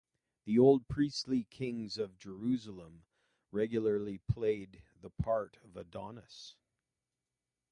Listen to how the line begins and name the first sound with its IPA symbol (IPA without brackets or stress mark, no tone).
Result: ð